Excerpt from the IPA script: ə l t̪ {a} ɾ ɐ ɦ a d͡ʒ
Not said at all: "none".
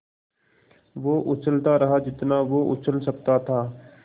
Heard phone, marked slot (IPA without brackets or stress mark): a